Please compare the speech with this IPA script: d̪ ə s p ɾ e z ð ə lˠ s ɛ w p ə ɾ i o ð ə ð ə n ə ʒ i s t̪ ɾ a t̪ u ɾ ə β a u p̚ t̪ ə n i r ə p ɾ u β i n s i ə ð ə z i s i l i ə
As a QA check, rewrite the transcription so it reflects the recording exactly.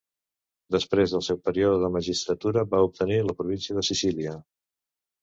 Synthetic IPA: d̪ ə s p ɾ e z ð ə lˠ s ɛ w p ə ɾ i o ð ə ð ə m ə ʒ i s t̪ ɾ ə t̪ u ɾ ə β a u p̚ t̪ ə n i l ə p ɾ u β i n s i ə ð ə s i s i l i ə